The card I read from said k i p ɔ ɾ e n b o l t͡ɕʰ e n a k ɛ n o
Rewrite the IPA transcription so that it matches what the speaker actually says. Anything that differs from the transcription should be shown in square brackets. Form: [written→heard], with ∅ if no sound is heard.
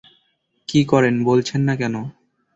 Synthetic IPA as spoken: k i [p→k] ɔ ɾ e n b o l t͡ɕʰ e [n→nː] a k ɛ n o